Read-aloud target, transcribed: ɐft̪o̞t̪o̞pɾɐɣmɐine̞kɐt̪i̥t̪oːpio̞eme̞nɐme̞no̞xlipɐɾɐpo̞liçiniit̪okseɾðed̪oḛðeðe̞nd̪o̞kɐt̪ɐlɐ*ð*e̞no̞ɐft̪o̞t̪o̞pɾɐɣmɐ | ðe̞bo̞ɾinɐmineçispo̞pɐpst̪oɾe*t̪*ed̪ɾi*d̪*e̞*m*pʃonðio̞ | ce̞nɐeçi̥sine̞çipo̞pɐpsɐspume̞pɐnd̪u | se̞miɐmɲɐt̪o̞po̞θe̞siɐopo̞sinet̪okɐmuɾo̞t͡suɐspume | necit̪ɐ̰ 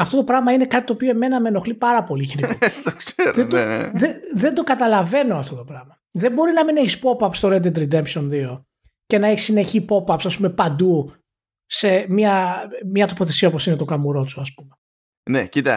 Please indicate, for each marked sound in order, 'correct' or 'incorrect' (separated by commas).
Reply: incorrect, incorrect, correct, correct